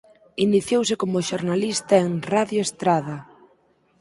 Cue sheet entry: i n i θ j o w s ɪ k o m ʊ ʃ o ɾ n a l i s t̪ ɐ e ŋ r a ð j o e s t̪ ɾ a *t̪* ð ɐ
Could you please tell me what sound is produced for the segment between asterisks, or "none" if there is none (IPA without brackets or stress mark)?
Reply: none